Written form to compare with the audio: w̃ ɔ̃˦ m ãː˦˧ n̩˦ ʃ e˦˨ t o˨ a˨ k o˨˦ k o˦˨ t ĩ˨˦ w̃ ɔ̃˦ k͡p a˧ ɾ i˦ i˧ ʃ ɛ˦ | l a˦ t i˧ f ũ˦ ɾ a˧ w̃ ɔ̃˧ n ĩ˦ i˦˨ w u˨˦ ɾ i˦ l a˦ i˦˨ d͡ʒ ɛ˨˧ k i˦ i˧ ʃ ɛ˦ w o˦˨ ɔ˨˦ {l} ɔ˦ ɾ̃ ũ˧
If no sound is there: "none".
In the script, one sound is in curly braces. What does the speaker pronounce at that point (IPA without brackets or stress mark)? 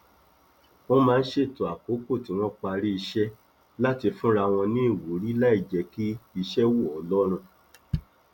l